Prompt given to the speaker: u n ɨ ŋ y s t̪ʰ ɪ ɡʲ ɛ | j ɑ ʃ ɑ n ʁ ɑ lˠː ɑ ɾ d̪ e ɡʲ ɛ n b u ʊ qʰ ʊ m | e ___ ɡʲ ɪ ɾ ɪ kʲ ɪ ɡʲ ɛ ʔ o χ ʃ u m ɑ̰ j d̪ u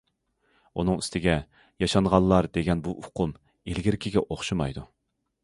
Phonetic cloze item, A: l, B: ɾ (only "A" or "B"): A